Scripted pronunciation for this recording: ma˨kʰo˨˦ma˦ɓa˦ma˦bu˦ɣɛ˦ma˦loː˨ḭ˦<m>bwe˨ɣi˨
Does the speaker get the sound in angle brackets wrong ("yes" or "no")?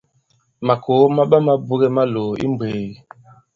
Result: no